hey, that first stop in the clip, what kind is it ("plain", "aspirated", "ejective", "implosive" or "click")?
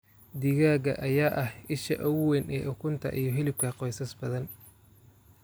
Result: plain